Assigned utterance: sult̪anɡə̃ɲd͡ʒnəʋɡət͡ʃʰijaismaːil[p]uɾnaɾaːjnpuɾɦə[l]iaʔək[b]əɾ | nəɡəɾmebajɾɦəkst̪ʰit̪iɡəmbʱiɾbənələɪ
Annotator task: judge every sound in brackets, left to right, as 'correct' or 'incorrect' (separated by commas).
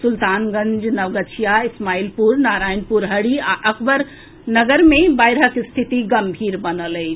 correct, incorrect, correct